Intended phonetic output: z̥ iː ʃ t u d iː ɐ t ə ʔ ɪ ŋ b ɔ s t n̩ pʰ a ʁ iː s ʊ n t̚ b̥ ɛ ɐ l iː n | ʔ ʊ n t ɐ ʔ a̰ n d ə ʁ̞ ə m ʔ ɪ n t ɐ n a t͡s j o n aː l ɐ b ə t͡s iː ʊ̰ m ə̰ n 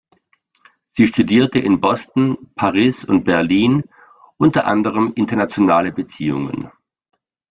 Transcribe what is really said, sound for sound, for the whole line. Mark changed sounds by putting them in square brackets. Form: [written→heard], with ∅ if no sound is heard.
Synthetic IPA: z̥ iː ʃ t u d iː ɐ t ə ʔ ɪ [ŋ→n] b ɔ s t n̩ pʰ a ʁ iː s ʊ n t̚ b̥ ɛ ɐ l iː n | ʔ ʊ n t ɐ ʔ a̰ n d ə ʁ̞ ə m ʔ ɪ n t ɐ n a t͡s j o n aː l [ɐ→ə] b ə t͡s iː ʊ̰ [m→ŋ] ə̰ n